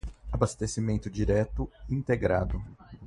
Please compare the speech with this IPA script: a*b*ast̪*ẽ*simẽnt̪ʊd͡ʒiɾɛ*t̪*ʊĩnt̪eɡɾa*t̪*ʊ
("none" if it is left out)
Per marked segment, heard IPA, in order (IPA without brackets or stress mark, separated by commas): b, e, t̪, d̪